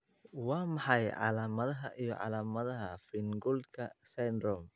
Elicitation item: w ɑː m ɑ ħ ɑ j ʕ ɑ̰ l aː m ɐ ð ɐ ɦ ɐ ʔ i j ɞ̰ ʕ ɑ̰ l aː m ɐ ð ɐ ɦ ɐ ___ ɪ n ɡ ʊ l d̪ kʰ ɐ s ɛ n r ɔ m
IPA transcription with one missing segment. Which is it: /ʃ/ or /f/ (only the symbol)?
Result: f